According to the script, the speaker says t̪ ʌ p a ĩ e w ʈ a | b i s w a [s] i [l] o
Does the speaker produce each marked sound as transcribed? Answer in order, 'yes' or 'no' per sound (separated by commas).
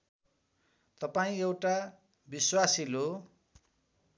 yes, yes